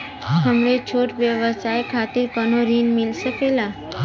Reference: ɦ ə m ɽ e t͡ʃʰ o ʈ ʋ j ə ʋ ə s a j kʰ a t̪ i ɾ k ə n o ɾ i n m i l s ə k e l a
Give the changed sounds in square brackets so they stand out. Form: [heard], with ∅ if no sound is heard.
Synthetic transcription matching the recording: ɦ ə m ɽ e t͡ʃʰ o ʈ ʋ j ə ʋ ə s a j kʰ a t̪ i ɾ k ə n o ɾ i n m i l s ə k e l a